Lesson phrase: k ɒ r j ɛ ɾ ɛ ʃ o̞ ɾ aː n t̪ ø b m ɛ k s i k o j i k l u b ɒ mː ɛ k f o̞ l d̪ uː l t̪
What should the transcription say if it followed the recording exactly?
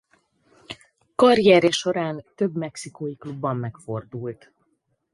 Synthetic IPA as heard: k ɒ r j ɛ ɾ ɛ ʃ o̞ ɾ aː n t̪ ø b m ɛ k s i k o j i k l u bː ɒ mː ɛ k f o̞ r d̪ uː l t̪